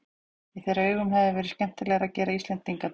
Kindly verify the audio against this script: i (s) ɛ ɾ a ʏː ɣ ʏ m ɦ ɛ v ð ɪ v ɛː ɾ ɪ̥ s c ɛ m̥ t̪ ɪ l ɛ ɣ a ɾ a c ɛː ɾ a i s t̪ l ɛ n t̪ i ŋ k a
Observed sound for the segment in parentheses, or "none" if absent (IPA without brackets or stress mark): θ